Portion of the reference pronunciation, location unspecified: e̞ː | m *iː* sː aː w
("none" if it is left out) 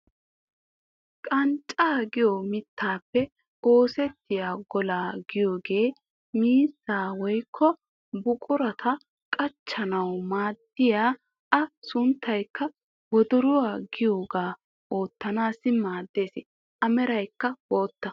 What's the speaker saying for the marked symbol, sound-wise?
iː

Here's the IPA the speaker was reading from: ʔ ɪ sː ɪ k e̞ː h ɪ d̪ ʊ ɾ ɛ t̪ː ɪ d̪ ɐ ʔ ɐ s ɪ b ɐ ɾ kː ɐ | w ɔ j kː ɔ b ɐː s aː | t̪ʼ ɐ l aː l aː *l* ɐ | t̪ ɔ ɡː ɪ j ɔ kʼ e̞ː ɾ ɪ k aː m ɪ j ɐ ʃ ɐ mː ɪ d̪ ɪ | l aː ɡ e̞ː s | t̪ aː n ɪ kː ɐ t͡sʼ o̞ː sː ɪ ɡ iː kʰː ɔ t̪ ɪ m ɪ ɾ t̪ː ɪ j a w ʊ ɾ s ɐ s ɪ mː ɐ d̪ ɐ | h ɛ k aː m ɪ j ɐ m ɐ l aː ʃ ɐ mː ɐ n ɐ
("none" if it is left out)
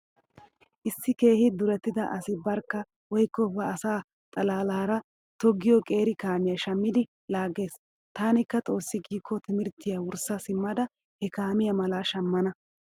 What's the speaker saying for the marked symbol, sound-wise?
ɾ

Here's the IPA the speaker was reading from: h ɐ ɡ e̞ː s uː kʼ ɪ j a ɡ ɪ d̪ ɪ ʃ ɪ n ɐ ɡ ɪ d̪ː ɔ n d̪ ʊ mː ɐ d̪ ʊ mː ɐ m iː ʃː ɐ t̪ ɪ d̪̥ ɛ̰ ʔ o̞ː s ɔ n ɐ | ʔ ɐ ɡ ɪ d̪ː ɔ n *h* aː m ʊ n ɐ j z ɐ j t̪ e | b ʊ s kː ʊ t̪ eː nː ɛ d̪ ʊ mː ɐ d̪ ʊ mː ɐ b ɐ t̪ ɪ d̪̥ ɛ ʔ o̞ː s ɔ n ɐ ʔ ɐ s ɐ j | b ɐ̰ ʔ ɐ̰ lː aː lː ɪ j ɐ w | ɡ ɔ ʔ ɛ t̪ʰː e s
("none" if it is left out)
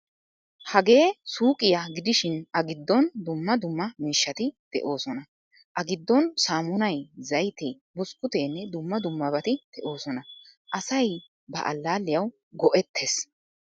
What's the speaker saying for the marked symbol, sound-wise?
s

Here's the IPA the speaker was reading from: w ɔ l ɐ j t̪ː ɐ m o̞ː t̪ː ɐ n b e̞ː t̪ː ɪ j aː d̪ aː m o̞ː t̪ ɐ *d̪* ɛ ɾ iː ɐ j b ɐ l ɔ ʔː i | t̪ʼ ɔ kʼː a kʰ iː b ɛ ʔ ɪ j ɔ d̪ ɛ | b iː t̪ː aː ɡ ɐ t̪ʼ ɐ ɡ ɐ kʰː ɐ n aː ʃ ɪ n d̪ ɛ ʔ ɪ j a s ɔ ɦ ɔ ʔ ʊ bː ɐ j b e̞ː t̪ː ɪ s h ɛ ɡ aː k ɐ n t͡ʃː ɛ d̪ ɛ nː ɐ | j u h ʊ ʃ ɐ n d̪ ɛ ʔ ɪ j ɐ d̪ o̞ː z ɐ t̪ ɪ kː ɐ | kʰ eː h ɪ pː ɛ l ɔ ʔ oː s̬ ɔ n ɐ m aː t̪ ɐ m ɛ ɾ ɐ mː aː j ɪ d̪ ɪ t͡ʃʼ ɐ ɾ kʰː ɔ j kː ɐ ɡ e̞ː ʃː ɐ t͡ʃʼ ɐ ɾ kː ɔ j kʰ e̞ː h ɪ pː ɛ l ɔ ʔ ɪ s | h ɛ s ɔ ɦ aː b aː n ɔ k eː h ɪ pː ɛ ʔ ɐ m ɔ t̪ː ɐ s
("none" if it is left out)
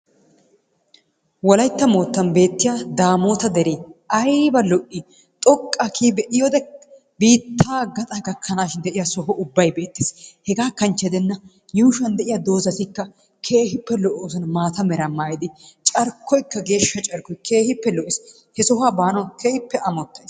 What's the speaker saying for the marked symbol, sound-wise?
d̪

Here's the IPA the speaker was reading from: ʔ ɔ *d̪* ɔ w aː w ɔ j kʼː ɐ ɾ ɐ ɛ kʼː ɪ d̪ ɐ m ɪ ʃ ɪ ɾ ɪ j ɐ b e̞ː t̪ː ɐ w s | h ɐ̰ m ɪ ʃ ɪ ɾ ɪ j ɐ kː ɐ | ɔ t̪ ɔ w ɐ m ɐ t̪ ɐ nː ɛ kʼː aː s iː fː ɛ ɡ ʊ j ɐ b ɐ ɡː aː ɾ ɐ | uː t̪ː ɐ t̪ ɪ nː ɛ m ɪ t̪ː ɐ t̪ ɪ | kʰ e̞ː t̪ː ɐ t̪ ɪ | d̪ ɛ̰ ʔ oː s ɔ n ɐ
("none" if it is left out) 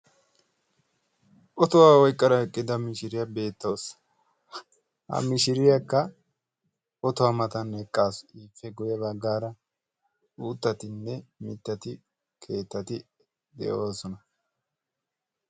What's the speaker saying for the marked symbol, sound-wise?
t̪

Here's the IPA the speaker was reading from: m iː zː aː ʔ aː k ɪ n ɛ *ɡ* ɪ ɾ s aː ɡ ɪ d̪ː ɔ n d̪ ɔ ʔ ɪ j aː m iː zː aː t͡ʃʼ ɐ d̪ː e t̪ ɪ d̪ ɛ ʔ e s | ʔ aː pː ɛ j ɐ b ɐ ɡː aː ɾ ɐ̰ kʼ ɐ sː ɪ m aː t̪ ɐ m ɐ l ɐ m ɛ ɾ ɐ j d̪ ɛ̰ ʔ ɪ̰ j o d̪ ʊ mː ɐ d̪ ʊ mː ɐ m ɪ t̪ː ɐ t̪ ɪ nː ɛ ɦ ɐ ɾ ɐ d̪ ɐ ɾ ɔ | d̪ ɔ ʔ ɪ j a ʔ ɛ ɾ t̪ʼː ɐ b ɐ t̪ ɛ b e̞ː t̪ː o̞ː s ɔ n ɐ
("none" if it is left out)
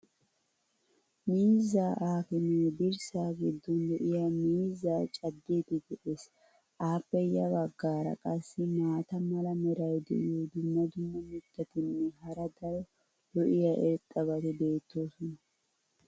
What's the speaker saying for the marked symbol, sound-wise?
b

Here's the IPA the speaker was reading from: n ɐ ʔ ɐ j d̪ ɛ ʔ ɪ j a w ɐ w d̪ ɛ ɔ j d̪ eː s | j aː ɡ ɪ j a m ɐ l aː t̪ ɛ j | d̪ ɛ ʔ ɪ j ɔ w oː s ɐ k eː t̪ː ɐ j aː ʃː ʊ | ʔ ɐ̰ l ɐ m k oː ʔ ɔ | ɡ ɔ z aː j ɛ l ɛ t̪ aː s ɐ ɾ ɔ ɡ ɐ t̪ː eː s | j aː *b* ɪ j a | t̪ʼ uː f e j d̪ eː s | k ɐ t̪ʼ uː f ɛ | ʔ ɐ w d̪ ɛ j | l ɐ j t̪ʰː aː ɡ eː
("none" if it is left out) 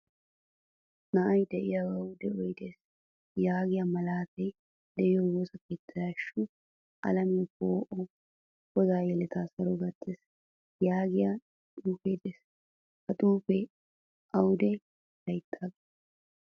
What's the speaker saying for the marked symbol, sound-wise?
ɡ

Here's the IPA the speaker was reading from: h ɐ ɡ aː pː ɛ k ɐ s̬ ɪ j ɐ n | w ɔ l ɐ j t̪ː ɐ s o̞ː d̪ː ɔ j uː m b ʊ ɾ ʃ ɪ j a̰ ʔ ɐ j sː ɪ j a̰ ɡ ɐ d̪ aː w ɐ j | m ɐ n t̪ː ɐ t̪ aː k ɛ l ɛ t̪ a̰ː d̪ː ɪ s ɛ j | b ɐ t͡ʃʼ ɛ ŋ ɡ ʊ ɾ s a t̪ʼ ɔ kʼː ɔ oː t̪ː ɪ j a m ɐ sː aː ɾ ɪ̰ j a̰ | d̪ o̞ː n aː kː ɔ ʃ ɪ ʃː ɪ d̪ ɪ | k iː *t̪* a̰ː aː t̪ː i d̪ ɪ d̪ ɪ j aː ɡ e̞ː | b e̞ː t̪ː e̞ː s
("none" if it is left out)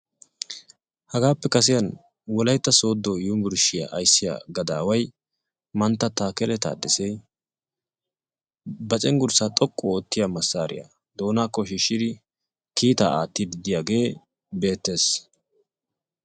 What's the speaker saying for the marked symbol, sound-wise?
t̪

